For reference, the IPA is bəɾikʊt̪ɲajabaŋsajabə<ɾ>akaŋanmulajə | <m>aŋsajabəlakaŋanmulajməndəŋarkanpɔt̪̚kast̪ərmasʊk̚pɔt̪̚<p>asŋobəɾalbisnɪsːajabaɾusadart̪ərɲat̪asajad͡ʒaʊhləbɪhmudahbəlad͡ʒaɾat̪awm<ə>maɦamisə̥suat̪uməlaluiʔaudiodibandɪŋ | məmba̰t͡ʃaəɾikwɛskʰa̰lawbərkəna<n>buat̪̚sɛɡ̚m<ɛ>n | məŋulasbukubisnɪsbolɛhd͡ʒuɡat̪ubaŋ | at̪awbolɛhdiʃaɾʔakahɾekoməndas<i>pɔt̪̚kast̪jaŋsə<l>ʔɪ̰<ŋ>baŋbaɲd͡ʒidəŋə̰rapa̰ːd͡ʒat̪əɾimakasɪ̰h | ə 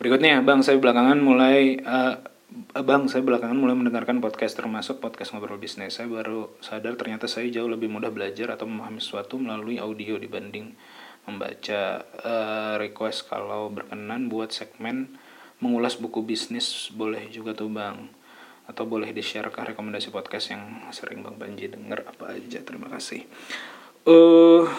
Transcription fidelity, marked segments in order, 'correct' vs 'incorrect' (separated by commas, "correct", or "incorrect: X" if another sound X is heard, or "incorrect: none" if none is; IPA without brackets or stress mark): incorrect: l, incorrect: b, incorrect: k, correct, correct, correct, correct, incorrect: ɾ, correct